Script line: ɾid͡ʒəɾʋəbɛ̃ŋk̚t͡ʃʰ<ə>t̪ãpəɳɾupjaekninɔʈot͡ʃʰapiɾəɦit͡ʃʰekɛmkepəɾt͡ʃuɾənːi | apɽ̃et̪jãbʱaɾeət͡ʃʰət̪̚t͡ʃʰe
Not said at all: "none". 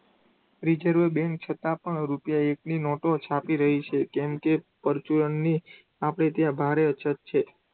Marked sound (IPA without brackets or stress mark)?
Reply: ə